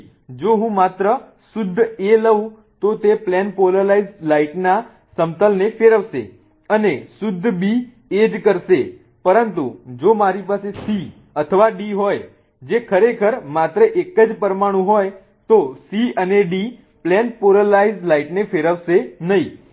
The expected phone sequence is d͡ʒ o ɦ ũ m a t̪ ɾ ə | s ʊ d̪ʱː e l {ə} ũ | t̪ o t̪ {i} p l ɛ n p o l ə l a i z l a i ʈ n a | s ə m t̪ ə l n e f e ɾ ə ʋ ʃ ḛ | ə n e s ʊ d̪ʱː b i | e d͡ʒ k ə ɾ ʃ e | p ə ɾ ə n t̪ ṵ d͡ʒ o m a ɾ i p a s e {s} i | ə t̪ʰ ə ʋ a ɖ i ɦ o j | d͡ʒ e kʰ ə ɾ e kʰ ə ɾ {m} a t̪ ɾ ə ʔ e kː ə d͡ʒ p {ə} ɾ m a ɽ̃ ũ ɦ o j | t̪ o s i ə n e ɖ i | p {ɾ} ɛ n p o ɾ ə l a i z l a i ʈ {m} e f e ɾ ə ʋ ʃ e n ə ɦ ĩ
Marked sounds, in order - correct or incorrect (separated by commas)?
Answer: correct, incorrect, correct, correct, correct, incorrect, incorrect